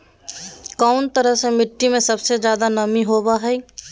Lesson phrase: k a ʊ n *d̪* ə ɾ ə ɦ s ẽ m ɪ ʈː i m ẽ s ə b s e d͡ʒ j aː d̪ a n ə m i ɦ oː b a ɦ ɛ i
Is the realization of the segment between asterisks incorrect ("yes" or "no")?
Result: yes